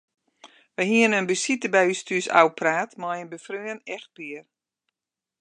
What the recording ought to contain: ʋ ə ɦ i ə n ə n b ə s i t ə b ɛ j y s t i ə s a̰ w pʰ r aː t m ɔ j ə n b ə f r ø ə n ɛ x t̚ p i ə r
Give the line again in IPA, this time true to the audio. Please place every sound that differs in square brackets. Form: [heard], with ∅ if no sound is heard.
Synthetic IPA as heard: ʋ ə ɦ i ə n ə n b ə s i t ə b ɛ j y s t [y] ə s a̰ w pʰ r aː t m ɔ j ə n b ə f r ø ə n ɛ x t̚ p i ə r